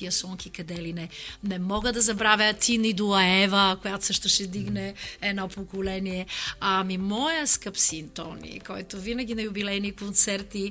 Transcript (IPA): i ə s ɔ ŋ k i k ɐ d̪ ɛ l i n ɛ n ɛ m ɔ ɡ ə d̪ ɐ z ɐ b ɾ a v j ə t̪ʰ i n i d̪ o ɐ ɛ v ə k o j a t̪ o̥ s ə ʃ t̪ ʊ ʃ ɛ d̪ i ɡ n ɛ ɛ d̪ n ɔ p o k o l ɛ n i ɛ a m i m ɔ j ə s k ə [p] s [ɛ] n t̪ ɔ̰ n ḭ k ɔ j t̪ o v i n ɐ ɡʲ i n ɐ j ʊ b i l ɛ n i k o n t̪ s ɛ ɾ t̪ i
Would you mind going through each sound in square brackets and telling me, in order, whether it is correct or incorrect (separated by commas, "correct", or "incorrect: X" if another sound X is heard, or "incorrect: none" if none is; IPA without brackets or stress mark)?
correct, incorrect: i